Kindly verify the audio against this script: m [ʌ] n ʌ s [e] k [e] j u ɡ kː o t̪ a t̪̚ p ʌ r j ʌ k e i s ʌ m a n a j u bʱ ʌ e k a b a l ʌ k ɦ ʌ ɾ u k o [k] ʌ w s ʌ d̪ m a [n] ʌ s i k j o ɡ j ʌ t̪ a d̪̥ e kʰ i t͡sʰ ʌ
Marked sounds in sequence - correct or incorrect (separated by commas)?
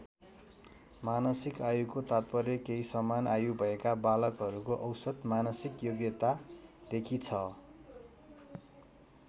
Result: incorrect, incorrect, incorrect, incorrect, correct